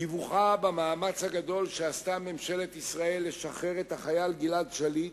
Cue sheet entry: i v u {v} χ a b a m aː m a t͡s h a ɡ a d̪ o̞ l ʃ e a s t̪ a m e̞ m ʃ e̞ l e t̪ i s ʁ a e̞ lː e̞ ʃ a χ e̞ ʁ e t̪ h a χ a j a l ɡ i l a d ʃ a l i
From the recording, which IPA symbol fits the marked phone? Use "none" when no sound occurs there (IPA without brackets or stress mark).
none